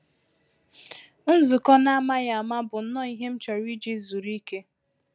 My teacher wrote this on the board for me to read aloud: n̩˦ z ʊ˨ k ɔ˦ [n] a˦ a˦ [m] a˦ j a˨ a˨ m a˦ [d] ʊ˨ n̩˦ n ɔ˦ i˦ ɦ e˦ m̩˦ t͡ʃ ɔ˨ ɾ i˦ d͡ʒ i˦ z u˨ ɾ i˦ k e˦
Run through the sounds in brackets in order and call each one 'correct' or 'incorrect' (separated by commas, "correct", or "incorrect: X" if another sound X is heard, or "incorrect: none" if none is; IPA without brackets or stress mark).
correct, correct, incorrect: b